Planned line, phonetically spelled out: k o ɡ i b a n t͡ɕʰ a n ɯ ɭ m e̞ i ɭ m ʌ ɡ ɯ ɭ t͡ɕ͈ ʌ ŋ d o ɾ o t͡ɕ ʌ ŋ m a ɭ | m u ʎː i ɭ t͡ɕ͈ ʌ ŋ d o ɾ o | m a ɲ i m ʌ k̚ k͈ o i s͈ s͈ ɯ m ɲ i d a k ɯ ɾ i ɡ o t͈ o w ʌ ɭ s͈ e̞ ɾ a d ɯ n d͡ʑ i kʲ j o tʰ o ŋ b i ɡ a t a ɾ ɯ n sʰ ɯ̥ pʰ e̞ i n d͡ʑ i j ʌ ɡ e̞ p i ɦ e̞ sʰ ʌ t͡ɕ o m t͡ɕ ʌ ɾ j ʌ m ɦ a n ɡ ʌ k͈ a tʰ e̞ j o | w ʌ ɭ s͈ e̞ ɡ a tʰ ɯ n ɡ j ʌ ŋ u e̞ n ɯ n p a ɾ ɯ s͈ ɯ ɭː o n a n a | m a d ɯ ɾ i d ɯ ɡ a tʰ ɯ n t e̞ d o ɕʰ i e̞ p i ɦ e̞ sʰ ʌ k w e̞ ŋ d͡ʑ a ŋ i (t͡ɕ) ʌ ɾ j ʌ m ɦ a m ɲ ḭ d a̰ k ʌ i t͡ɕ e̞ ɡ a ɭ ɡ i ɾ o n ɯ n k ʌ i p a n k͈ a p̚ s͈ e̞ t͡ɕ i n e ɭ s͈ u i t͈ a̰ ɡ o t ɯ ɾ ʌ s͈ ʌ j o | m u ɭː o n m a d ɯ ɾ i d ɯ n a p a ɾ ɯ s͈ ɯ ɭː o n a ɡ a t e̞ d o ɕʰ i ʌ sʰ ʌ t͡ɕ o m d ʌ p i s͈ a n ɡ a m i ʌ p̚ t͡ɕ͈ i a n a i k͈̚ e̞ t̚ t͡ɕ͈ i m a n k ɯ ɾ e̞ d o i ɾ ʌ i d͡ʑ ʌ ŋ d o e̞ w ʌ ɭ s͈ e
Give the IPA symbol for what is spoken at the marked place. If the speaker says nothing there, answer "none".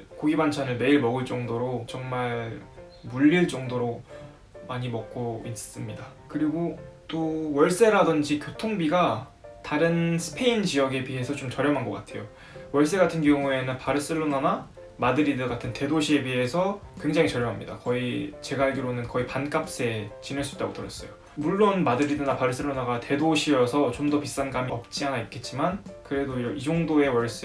t͡ɕ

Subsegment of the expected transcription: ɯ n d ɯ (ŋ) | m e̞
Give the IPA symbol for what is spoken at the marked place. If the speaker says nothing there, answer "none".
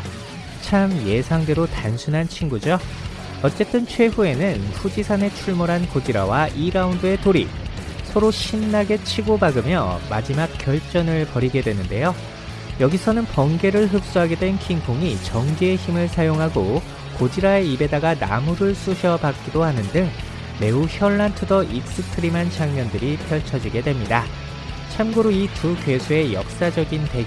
ŋ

